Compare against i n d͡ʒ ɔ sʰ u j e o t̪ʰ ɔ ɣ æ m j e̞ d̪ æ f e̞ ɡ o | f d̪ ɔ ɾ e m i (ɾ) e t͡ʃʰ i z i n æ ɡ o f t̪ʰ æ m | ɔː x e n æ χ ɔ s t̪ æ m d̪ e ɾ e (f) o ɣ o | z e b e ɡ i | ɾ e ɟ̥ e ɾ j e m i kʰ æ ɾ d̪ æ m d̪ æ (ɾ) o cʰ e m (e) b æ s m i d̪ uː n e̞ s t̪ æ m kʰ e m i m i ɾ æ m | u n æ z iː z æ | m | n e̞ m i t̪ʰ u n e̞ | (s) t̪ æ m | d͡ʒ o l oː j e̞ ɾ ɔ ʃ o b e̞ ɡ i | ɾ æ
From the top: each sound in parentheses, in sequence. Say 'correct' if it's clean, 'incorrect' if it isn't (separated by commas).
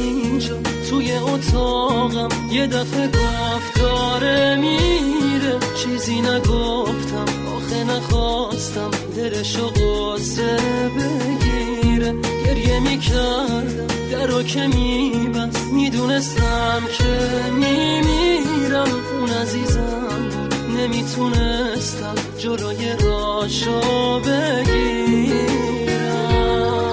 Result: correct, incorrect, correct, incorrect, correct